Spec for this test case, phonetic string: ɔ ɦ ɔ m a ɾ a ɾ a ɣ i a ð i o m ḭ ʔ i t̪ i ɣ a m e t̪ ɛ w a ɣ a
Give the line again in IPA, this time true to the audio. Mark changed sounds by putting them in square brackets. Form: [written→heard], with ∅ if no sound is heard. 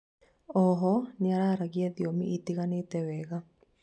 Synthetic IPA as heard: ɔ ɦ ɔ [m→ɲ] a ɾ a ɾ a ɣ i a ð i o m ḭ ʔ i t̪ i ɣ a [m→n] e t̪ ɛ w [a→ɛ] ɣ a